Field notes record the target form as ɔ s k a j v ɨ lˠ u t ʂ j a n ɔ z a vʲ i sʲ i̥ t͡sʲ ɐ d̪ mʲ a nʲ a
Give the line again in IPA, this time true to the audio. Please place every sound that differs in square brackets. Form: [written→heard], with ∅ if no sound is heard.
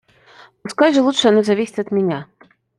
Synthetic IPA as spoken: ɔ s k a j [v→ʐ] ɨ lˠ u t ʂ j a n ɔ z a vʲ i sʲ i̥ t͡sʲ ɐ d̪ mʲ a nʲ a